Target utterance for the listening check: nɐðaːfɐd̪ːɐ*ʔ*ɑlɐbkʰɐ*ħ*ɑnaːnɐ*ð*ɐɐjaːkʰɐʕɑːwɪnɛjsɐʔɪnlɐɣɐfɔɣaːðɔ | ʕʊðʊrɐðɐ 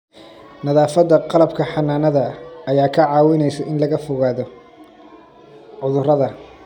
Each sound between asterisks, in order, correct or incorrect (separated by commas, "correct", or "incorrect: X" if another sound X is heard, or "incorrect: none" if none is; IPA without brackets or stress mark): incorrect: q, correct, correct